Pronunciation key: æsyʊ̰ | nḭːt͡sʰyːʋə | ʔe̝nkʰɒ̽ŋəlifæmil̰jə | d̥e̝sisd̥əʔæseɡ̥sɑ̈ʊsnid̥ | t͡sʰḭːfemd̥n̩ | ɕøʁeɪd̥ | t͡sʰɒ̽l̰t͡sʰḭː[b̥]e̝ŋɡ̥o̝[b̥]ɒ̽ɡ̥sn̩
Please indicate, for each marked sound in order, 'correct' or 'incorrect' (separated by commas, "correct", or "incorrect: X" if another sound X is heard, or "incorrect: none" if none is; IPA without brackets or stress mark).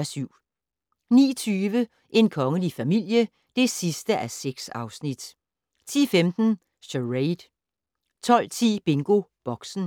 correct, correct